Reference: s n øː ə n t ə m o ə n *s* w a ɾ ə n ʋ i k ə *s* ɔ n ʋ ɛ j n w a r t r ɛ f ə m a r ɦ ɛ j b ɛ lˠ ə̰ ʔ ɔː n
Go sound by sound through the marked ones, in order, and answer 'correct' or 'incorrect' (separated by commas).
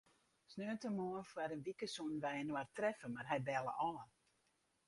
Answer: incorrect, correct